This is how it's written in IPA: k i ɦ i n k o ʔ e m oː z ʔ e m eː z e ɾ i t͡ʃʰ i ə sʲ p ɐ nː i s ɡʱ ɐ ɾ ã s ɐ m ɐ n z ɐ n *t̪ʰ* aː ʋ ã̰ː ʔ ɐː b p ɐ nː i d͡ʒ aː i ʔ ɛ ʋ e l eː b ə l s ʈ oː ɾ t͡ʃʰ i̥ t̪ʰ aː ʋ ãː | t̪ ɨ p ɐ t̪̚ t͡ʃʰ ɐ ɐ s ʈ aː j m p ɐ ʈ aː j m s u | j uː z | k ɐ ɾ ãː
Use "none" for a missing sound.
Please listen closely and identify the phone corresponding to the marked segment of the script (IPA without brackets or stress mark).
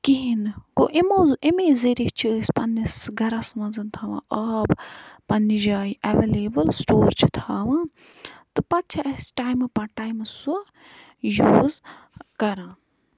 t̪ʰ